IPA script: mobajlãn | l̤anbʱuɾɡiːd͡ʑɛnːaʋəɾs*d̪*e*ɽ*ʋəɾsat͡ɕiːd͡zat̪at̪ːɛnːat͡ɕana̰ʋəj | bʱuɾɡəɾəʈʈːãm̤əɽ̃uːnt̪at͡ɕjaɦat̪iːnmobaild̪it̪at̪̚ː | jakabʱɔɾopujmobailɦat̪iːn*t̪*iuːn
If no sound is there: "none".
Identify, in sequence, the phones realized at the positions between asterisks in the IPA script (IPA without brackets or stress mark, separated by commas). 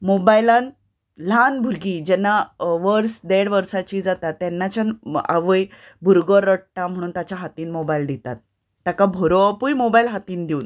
d̪, ɽ, d̪